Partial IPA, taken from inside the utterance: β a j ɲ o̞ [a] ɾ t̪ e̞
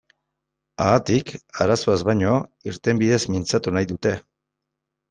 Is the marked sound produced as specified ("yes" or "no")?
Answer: no